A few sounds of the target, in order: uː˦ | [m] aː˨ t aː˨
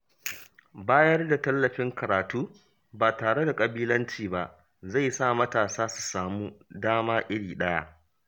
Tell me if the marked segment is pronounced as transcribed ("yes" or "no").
no